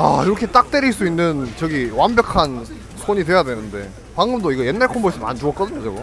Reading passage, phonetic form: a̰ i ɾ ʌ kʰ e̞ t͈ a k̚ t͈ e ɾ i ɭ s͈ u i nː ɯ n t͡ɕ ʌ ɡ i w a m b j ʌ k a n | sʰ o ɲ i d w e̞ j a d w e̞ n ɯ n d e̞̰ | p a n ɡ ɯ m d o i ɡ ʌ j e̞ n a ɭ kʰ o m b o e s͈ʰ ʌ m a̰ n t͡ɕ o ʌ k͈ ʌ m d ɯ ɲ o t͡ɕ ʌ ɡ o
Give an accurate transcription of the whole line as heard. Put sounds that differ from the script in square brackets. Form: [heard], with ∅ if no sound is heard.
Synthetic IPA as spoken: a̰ i ɾ ʌ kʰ e̞ t͈ a k̚ t͈ e ɾ i ɭ s͈ u i nː ɯ n t͡ɕ ʌ ɡ i w a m b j ʌ [kʰ] a n | sʰ o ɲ i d w e̞ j a d w e̞ n ɯ n d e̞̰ | p a [ŋ] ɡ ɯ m d o i ɡ ʌ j e̞ [nː] a ɭ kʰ o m b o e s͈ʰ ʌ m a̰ n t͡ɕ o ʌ k͈ ʌ [∅] d ɯ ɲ o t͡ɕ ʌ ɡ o